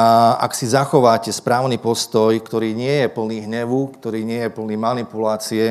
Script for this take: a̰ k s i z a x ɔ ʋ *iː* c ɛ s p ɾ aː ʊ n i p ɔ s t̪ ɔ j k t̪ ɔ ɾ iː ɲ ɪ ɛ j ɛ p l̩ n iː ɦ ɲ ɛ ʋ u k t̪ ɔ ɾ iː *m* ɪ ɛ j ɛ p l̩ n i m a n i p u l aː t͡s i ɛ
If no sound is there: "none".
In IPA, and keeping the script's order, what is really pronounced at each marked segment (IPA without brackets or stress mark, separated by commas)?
aː, ɲ